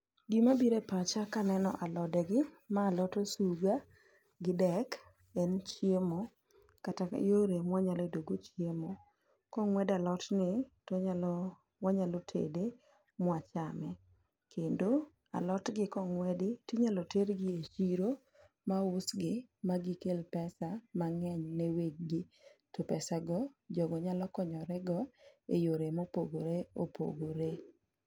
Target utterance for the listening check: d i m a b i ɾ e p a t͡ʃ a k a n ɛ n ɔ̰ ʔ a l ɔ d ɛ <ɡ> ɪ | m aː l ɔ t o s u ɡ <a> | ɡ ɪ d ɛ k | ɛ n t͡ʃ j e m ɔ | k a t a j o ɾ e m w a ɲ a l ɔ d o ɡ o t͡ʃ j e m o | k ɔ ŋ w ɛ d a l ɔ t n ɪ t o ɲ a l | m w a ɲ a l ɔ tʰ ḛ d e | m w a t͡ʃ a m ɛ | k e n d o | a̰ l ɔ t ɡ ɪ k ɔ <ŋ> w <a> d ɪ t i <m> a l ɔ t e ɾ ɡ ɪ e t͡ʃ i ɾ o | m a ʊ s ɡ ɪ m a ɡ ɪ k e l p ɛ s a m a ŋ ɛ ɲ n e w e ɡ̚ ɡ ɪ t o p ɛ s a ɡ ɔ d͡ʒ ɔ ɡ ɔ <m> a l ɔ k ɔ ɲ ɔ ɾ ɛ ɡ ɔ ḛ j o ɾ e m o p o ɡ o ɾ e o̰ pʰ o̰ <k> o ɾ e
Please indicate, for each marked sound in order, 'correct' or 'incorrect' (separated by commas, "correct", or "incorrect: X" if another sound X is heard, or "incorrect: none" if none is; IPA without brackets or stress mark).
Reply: correct, correct, correct, incorrect: ɛ, incorrect: ɲ, incorrect: ɲ, incorrect: ɡ